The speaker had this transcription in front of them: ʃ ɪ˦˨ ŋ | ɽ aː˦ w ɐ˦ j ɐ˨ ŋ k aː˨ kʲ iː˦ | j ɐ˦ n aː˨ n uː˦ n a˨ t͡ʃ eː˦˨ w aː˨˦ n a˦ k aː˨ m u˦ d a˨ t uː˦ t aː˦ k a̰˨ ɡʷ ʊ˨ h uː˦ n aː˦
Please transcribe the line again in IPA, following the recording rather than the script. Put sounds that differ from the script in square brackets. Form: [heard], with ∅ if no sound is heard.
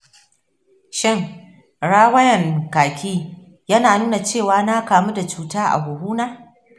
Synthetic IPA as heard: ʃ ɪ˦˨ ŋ | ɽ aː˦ w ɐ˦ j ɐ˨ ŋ k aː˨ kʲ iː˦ | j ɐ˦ n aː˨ n uː˦ n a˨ t͡ʃ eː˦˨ w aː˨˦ n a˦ k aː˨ m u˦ d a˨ [t͡ʃ] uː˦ t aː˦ [ʔ] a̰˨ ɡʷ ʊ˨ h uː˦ n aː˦

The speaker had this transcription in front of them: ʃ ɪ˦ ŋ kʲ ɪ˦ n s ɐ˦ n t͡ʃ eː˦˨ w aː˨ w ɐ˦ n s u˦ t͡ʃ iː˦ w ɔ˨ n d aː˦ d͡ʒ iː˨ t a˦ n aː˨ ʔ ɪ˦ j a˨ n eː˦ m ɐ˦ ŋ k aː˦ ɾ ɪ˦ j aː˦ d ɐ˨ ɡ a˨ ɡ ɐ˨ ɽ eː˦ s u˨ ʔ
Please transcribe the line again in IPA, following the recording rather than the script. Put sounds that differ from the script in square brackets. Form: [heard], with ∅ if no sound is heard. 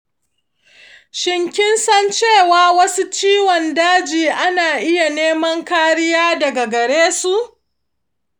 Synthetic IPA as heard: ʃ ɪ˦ ŋ kʲ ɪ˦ n s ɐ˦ n t͡ʃ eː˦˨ w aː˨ w ɐ˦ [∅] s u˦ t͡ʃ iː˦ w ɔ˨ n d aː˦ d͡ʒ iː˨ [ʔ] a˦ n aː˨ ʔ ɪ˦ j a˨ n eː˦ m ɐ˦ ŋ k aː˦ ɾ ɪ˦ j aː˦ d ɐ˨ ɡ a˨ ɡ ɐ˨ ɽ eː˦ s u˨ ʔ

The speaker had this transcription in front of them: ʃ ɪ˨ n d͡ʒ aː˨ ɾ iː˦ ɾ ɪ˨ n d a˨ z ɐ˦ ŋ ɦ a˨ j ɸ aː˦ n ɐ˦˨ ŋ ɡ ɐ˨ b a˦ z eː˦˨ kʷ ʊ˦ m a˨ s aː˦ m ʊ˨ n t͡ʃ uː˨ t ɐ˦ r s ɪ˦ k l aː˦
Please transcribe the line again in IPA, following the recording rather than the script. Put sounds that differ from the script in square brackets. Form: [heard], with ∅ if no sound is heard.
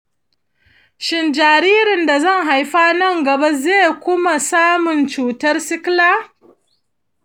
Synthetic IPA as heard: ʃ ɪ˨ n d͡ʒ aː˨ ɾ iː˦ ɾ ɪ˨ n d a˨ z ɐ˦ ŋ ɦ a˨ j ɸ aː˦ n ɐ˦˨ ŋ ɡ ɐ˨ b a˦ z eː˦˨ kʷ ʊ˦ m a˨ s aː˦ m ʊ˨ n t͡ʃ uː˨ t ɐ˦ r s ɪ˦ k l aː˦

